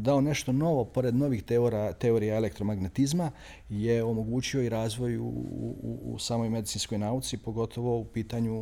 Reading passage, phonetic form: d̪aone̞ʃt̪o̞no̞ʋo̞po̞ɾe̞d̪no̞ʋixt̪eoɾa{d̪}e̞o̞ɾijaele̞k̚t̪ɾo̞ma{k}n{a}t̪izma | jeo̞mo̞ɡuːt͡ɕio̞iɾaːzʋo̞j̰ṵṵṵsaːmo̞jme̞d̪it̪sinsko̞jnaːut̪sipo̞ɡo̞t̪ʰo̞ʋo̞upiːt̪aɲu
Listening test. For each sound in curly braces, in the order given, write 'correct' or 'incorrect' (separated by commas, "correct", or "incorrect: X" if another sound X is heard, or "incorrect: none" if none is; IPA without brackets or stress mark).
incorrect: t̪, incorrect: ɡ, incorrect: e